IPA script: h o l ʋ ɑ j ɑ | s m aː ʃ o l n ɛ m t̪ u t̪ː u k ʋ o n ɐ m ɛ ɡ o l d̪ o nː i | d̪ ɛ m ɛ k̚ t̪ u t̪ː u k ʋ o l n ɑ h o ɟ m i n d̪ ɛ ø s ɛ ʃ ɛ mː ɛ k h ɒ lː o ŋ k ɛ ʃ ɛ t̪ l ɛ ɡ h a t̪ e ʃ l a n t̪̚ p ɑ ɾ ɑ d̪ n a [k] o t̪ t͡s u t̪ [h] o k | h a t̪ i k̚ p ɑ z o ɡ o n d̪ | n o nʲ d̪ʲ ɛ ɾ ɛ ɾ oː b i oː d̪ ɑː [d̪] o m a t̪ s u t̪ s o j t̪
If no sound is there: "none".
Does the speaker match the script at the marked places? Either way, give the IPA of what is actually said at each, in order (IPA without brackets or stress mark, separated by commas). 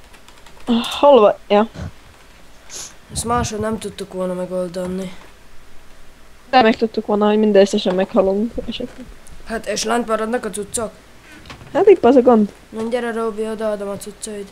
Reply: k, s, d̪